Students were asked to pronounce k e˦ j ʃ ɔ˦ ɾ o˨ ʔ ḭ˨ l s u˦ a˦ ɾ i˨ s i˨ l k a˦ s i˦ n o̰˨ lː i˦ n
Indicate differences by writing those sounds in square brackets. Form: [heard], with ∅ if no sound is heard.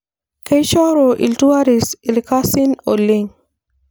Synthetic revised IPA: k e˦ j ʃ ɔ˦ ɾ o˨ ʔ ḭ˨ l [t] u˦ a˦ ɾ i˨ s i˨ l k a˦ s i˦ n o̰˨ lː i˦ [ŋ]